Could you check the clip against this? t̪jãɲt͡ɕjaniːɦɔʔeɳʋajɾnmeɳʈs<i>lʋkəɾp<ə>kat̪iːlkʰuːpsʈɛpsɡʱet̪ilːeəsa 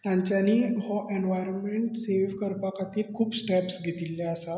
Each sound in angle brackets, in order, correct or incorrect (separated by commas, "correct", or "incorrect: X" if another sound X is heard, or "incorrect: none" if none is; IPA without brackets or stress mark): incorrect: e, incorrect: a